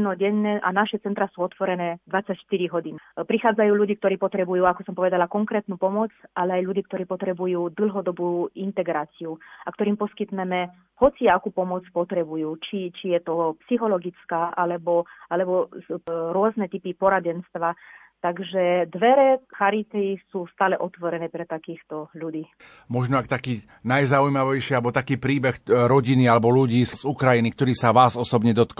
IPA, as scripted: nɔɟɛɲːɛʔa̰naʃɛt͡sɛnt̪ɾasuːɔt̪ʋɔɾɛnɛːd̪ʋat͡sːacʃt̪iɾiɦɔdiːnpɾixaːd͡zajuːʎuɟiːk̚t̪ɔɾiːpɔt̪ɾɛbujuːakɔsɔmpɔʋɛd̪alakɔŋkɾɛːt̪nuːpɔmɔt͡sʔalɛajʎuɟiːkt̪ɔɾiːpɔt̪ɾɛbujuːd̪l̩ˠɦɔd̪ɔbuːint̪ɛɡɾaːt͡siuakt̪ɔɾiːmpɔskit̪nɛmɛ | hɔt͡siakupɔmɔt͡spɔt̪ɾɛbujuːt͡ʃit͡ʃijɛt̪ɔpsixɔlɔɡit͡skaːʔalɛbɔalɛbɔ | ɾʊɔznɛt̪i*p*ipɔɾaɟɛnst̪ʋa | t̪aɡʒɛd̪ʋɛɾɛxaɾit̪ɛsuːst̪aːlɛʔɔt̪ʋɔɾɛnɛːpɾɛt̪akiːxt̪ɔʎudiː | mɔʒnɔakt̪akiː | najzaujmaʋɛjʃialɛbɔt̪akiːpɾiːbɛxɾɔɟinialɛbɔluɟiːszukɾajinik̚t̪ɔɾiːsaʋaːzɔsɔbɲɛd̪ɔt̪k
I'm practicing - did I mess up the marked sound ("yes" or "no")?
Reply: no